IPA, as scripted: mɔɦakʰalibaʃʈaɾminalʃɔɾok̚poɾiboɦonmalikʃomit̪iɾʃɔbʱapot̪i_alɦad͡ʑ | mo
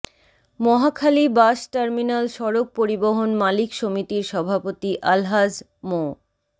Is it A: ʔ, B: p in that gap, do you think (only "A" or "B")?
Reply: A